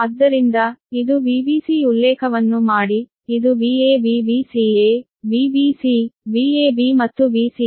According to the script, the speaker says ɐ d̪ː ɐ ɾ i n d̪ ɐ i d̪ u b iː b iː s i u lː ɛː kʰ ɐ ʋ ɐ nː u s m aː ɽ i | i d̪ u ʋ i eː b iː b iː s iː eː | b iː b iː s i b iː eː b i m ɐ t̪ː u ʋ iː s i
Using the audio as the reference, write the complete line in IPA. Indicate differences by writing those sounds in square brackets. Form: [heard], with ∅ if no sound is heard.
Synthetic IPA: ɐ d̪ː ɐ ɾ i n d̪ ɐ i d̪ u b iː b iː s i u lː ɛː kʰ ɐ ʋ ɐ nː u [∅] m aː ɽ i | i d̪ u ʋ i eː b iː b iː s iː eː | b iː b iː s i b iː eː b i m ɐ t̪ː u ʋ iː s i